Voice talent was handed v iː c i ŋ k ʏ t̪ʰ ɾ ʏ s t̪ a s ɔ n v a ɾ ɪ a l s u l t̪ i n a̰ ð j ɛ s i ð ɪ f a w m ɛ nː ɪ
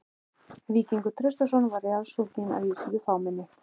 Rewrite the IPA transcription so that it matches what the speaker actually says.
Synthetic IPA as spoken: v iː c i ŋ k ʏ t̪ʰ ɾ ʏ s t̪ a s ɔ n v a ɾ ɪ a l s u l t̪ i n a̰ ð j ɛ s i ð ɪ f a w m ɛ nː ɪ